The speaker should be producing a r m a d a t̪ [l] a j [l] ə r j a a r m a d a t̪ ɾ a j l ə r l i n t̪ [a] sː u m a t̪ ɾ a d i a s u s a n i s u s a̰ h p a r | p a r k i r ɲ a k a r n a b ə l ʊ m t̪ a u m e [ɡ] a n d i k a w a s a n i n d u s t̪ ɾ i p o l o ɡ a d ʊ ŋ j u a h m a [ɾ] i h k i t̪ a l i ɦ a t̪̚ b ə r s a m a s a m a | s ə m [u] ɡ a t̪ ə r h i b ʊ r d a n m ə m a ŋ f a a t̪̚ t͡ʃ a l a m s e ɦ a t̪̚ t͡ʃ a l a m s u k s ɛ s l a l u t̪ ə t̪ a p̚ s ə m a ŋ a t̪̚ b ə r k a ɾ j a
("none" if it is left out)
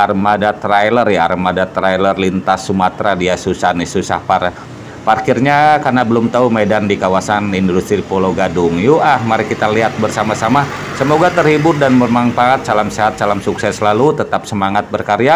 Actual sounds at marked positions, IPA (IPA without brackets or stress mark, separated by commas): ɾ, l, a, d, ɾ, o